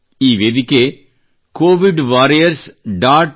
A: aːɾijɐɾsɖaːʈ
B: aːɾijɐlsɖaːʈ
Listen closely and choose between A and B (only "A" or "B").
A